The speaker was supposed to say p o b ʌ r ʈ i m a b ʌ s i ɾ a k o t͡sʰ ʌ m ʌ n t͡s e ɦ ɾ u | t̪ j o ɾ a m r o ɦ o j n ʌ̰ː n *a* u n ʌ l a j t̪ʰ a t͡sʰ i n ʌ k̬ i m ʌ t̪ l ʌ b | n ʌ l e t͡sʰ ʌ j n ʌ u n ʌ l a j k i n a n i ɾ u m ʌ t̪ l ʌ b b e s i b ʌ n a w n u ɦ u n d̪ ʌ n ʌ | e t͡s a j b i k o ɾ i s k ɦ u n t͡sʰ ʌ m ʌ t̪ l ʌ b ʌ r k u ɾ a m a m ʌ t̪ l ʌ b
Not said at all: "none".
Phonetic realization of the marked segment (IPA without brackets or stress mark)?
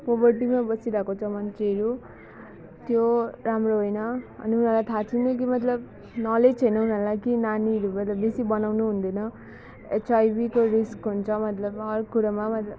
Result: i